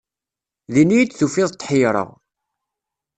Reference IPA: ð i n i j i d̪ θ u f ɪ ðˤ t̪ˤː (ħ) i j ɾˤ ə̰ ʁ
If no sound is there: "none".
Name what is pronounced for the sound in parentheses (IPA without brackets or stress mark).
ħ